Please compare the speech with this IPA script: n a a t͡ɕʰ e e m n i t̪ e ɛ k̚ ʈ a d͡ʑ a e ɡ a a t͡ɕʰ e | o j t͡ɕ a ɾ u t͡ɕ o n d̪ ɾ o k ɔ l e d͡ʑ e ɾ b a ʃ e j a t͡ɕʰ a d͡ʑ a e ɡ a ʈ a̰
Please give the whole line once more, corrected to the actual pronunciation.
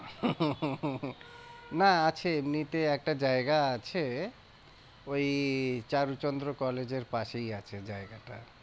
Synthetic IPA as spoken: n a a t͡ɕʰ e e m n i t̪ e ɛ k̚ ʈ a d͡ʑ a e ɡ a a t͡ɕʰ e | o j t͡ɕ a ɾ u t͡ɕ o n d̪ ɾ o k ɔ l e d͡ʑ e ɾ p a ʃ e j a t͡ɕʰ e d͡ʑ a e ɡ a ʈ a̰